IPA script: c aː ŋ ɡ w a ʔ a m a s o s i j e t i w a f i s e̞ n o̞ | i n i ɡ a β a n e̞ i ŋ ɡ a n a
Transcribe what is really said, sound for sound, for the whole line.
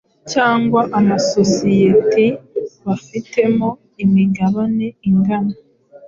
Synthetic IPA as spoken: c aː ŋ ɡ w a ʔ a m a s o s i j e t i β a f i t e̞ m o̞ | i m i ɡ a β a n e̞ i ŋ ɡ a n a